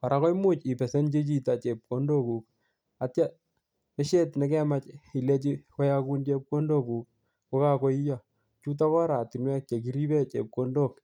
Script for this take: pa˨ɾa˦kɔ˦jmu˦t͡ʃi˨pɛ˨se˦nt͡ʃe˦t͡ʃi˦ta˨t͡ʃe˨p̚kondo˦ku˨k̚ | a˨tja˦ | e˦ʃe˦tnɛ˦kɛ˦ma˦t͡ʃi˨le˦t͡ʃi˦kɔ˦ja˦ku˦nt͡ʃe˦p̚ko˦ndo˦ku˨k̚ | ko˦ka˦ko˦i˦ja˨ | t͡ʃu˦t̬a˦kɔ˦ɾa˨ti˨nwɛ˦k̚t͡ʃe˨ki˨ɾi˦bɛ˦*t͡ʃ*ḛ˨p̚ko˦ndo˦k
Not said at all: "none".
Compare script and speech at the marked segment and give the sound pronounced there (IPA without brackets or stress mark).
t͡ʃ